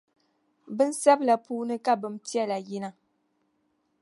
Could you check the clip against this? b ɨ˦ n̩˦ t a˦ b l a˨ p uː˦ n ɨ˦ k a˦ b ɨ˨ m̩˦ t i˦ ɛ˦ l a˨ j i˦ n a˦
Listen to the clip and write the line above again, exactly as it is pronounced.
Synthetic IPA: b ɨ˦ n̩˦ s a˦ b l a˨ p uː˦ n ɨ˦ k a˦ b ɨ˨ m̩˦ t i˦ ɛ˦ l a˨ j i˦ n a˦